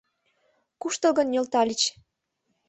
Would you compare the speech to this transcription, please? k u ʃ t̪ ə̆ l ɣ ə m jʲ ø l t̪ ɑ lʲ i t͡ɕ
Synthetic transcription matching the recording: k u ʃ t̪ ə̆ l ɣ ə n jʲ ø l t̪ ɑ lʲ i t͡ɕ